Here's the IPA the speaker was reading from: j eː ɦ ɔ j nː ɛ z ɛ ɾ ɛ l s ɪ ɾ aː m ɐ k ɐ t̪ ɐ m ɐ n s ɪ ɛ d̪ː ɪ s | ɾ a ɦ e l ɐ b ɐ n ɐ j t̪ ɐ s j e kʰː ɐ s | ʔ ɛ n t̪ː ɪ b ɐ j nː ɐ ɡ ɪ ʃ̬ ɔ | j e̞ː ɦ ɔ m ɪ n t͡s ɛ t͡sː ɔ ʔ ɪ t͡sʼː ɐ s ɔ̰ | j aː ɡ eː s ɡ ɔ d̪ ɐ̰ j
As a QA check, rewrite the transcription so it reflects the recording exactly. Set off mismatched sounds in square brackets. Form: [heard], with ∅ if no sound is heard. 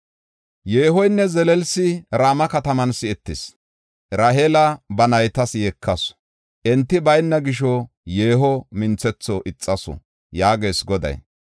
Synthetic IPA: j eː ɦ ɔ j nː ɛ z ɛ [l] ɛ l s ɪ ɾ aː m ɐ k ɐ t̪ ɐ m ɐ n s ɪ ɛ [t̪ː] ɪ s | ɾ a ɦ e l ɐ b ɐ n ɐ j t̪ ɐ s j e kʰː ɐ s | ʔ ɛ n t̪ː ɪ b ɐ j nː ɐ ɡ ɪ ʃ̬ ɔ | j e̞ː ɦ ɔ m ɪ n t͡s ɛ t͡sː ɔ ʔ ɪ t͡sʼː ɐ s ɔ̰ | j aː ɡ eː s ɡ ɔ d̪ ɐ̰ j